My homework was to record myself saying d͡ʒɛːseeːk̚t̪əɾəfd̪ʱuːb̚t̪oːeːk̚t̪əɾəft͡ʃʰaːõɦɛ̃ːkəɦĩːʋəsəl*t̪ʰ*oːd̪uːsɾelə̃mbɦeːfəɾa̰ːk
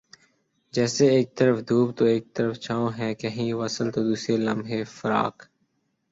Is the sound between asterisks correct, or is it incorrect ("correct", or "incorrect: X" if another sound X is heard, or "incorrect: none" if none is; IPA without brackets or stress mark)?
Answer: incorrect: t̪